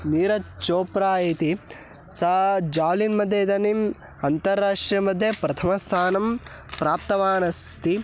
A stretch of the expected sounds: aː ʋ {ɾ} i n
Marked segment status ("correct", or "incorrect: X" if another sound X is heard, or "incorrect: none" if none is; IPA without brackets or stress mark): incorrect: l